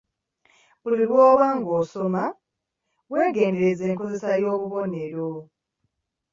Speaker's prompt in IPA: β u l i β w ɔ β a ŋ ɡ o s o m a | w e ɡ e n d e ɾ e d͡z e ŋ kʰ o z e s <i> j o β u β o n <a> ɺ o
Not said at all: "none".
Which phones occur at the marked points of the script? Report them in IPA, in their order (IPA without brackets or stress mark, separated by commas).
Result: a, e